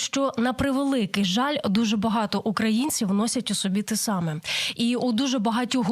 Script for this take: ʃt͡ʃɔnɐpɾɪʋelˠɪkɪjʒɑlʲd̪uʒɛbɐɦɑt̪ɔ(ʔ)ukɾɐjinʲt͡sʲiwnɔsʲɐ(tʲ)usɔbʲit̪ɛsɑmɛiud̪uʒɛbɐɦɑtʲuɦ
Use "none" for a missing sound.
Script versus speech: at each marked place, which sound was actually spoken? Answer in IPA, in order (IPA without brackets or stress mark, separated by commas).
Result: ʔ, tʲ